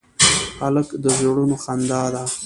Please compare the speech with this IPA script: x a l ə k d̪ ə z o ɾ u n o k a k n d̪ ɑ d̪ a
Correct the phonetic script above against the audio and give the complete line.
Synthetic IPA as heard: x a l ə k d̪ ə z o ɽ u n o x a n d̪ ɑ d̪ a